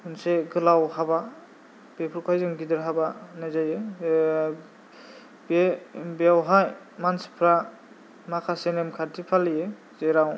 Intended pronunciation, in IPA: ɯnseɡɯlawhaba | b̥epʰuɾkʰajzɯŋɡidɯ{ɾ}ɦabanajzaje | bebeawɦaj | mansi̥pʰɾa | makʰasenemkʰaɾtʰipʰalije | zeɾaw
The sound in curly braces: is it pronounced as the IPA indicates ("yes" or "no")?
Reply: yes